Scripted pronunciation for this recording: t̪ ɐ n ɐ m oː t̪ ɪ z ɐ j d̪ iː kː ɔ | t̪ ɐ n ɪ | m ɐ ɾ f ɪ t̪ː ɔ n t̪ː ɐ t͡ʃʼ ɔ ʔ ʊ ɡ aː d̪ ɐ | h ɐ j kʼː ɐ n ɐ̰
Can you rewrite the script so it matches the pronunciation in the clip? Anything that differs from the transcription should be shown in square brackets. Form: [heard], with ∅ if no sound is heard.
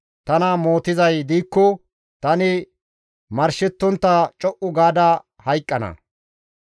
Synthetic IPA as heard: t̪ ɐ n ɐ m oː t̪ ɪ z ɐ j d̪ iː kː ɔ | t̪ ɐ n ɪ | m ɐ ɾ [ʃ] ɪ t̪ː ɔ n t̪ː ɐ t͡ʃʼ ɔ ʔ ʊ ɡ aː d̪ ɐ | h ɐ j kʼː ɐ n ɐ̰